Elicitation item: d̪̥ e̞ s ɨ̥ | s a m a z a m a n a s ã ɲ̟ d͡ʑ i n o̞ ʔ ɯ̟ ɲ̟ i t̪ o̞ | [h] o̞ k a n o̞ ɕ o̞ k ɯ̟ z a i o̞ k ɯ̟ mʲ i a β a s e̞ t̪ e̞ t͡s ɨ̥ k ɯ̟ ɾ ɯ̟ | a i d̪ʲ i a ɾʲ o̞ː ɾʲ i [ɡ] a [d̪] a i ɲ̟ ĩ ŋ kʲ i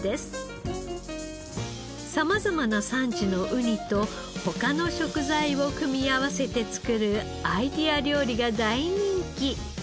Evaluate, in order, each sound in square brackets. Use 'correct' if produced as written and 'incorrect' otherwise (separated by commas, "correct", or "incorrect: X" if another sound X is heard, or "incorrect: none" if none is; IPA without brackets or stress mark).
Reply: correct, correct, correct